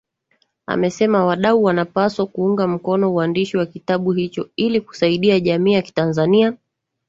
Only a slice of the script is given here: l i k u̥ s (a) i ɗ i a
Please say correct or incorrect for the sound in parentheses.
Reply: correct